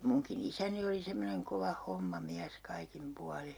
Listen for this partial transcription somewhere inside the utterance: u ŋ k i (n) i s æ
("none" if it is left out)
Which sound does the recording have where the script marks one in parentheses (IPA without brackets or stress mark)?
n